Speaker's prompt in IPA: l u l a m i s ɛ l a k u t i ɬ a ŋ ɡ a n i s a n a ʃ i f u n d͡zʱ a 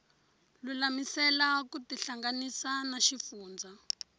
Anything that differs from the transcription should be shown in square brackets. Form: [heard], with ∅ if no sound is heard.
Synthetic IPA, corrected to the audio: l u l a m i s ɛ l a k u t i ɬ a ŋ ɡ a n i s a n a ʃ i f [uː] n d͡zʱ a